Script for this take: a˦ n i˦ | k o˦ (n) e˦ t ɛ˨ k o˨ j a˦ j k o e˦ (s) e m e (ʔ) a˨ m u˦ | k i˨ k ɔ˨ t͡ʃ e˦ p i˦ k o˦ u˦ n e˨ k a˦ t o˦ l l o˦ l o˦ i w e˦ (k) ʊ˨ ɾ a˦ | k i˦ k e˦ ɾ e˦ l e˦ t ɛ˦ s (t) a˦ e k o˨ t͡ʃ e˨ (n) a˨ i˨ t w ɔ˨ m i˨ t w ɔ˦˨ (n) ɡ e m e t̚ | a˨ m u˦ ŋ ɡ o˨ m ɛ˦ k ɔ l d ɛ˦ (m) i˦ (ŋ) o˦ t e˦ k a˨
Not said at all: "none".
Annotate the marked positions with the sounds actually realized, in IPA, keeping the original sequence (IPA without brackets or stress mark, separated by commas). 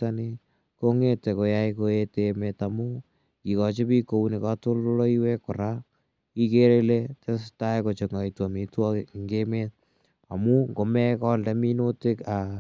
ŋ, t, t, k, t, ŋ, ŋ, m, n